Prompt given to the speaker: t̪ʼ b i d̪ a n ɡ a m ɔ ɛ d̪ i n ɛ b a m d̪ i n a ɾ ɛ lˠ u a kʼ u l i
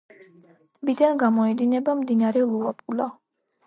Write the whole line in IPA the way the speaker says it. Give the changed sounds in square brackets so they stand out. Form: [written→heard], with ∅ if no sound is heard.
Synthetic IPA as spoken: t̪ʼ b i d̪ a n ɡ a m ɔ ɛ d̪ i n ɛ b a m d̪ i n a ɾ ɛ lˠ u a [kʼ→pʼ] u l [i→a]